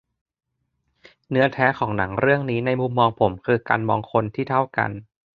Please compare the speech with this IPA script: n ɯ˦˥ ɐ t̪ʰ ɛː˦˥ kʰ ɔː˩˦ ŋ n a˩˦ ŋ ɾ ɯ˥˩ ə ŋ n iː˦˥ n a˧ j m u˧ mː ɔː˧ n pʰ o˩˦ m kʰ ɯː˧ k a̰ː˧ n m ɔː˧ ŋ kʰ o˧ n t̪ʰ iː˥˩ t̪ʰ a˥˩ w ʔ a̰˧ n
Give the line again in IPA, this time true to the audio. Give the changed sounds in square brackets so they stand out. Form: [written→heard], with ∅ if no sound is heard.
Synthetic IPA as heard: n ɯ˦˥ ɐ t̪ʰ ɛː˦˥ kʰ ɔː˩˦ ŋ n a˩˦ ŋ ɾ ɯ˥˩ ə ŋ n iː˦˥ n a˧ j m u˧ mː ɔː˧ [n→ŋ] pʰ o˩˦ m kʰ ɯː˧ k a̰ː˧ n m ɔː˧ ŋ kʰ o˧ n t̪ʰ iː˥˩ t̪ʰ a˥˩ w [ʔ→k] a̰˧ n

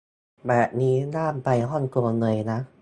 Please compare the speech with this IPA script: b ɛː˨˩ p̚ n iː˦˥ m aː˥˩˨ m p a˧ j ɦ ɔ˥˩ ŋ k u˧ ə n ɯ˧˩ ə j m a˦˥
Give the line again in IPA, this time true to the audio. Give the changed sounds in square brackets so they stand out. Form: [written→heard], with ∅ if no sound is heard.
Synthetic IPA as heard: b ɛː˨˩ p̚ n iː˦˥ [m→n] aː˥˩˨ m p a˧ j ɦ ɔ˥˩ [ŋ→n] k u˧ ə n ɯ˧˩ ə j [m→n] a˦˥

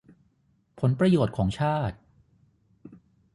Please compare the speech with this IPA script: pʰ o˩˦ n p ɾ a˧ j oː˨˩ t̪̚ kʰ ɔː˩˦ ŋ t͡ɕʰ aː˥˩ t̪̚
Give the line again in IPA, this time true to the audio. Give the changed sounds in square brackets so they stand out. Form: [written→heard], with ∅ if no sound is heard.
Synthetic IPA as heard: pʰ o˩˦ n p ɾ a˧ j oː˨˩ t̪̚ kʰ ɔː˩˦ ŋ t͡ɕʰ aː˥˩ t̪̚

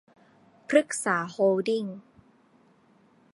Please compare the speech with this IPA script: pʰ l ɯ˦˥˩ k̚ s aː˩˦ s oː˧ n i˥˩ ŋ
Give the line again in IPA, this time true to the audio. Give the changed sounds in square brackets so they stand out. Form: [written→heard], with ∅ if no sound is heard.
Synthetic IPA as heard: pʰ [l→ɾ] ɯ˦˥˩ k̚ s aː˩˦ [s→h] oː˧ [n→d] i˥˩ ŋ

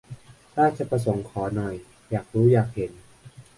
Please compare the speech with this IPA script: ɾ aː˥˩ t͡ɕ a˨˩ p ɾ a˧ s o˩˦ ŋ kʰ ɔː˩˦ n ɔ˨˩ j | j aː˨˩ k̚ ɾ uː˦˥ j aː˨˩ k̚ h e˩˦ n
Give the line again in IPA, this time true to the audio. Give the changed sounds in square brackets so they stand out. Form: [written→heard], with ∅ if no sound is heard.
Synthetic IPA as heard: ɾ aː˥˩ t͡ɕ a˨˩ p ɾ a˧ s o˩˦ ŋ kʰ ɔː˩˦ n ɔ˨˩ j | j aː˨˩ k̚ ɾ uː˦˥ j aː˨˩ k̚ h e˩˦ n

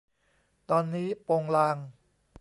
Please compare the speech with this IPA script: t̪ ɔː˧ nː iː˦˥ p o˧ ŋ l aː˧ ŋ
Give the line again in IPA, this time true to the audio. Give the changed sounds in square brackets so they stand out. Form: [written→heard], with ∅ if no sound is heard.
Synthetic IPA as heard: t̪ ɔː˧ nː iː˦˥ p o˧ ŋ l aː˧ ŋ

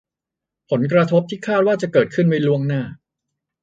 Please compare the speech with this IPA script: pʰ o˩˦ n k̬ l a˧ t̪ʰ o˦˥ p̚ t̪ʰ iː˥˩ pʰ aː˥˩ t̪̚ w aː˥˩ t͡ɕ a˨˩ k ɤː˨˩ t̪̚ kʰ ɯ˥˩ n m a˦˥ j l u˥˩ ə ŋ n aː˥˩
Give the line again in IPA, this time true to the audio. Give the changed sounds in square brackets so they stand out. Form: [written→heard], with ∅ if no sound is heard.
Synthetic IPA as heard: pʰ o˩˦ n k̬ [l→ɾ] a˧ t̪ʰ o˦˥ p̚ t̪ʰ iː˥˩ [pʰ→kʰ] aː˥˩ t̪̚ w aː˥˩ t͡ɕ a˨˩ k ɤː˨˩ t̪̚ kʰ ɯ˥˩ n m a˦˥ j l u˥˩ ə ŋ n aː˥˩

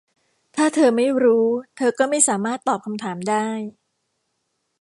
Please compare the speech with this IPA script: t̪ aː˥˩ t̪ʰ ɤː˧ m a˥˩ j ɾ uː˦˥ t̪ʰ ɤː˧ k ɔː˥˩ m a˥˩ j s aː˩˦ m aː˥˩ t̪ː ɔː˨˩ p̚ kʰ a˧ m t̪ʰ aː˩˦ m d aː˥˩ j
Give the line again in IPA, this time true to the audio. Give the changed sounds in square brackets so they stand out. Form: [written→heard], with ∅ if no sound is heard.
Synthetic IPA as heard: [t̪→t̪ʰ] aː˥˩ t̪ʰ ɤː˧ m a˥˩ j ɾ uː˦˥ t̪ʰ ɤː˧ k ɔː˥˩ m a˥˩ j s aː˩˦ m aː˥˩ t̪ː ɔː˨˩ p̚ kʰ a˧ m t̪ʰ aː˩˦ m d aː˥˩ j

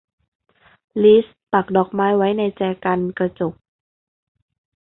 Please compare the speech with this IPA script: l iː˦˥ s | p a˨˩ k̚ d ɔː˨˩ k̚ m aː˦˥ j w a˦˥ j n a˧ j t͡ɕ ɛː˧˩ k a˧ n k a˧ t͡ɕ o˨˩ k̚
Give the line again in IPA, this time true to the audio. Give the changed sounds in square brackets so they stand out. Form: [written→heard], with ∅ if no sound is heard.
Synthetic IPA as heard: l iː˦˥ s | p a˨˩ k̚ d ɔː˨˩ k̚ m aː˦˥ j w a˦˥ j n a˧ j t͡ɕ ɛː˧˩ k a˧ n k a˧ t͡ɕ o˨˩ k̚

